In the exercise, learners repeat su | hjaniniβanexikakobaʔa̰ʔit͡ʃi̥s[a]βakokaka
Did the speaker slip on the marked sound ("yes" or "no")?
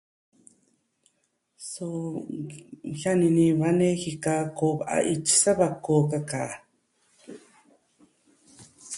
no